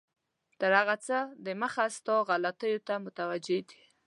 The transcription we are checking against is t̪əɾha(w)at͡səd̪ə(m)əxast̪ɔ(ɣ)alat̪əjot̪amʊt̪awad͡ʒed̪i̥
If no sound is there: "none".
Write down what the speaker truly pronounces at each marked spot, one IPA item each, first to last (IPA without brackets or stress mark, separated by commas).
ɣ, m, ɣ